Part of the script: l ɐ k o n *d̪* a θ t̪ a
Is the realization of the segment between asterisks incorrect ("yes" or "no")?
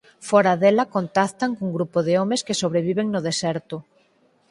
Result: yes